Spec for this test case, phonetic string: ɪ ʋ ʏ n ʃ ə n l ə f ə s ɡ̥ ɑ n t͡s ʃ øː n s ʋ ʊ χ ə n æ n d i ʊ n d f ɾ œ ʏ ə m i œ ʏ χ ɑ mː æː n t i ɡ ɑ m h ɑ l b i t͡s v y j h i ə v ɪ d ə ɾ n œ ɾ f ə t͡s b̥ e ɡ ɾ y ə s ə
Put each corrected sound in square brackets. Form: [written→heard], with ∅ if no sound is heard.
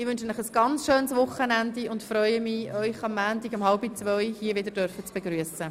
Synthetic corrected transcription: ɪ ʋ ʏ n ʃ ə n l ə [f→χ] ə s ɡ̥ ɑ n t͡s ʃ øː n s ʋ ʊ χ ə n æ n d i ʊ n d f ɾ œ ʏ ə m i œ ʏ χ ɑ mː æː n t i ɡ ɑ m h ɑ l b i t͡s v [y→œ] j h i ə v ɪ d ə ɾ [n→d] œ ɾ f ə t͡s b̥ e ɡ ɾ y ə s ə